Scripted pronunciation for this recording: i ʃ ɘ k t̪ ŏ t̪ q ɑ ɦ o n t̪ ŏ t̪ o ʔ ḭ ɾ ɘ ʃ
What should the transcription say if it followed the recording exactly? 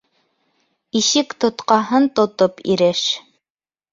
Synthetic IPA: i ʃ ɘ k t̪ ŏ t̪ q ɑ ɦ ɤ n t̪ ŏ t̪ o p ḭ ɾ ɘ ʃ